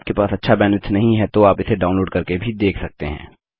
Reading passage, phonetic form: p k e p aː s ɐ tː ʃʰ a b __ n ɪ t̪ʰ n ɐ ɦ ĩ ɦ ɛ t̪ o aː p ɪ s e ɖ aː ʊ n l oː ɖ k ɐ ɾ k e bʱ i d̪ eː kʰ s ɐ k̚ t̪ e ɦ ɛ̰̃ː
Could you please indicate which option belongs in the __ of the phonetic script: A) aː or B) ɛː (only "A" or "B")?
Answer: B